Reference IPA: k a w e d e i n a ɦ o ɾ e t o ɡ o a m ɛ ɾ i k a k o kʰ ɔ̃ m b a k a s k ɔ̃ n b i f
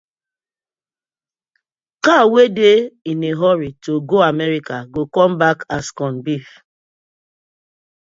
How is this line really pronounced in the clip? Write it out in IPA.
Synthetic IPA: k a w e d e i n e ɦ ɔ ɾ i t o ɡ o a m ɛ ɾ i k a ɡ o k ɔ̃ m b a k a s k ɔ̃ n b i f

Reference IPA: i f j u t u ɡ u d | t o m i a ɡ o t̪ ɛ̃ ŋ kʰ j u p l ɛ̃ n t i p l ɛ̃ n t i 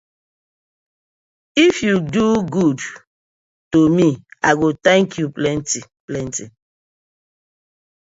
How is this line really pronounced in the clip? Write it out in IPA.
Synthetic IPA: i f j u d u ɡ u d | t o m i a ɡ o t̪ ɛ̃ ŋ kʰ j u p l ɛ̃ n t i p l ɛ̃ n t i

